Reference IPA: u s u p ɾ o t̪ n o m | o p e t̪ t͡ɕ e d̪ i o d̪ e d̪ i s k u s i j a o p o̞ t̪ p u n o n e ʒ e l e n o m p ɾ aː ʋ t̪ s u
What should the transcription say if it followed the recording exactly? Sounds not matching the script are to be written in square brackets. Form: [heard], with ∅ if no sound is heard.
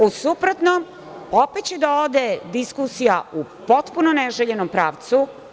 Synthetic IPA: u s u p ɾ o t̪ n o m | o p e t̪ t͡ɕ e d̪ [a] o d̪ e d̪ i s k u s i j a [u] p o̞ t̪ p u n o n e ʒ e [ʎ] e n o m p ɾ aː ʋ t̪ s u